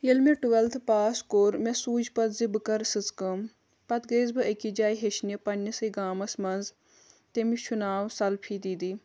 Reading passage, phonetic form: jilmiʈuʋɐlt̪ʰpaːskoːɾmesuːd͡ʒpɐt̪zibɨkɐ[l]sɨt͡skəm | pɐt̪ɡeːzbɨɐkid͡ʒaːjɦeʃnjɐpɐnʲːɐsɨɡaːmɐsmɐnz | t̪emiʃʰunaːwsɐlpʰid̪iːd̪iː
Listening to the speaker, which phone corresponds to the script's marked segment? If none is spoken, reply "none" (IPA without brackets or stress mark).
ɾ